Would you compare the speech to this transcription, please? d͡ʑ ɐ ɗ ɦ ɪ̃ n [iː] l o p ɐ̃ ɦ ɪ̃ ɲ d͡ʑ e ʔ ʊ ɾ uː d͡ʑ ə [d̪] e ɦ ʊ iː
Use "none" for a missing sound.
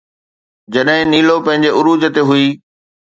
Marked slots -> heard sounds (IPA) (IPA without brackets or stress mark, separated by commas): iː, t̪